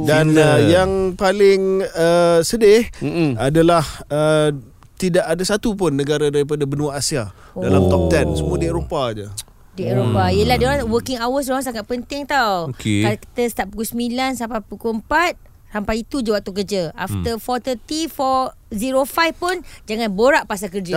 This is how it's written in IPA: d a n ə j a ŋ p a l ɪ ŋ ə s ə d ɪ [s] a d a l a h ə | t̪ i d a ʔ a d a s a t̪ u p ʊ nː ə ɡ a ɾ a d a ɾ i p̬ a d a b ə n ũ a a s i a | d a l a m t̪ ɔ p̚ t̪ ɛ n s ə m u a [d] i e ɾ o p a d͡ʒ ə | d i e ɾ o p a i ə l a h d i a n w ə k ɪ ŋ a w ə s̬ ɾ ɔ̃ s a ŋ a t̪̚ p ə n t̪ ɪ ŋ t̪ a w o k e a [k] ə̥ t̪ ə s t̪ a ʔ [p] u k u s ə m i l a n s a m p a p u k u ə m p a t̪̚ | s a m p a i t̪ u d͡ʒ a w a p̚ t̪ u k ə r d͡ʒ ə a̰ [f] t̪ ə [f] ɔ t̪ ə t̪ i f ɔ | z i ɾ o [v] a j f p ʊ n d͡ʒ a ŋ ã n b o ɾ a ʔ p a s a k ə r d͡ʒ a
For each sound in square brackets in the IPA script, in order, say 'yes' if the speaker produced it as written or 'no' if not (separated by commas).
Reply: no, yes, yes, yes, yes, yes, no